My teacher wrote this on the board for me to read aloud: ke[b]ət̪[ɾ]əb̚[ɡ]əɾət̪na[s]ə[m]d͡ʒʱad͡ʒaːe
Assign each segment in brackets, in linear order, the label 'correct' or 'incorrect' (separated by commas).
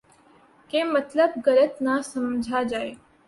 incorrect, incorrect, correct, correct, correct